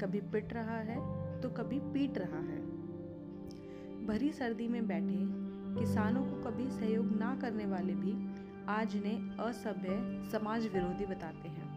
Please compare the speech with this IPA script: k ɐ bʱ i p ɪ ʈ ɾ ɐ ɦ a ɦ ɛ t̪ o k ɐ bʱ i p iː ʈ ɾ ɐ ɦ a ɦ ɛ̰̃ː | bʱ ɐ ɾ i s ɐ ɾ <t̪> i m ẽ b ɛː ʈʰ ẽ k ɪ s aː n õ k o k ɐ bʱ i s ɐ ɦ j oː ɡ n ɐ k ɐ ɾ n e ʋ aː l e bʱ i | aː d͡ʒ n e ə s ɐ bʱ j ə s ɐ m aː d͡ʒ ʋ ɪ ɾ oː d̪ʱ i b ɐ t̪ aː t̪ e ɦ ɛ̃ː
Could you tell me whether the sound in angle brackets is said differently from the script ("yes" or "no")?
yes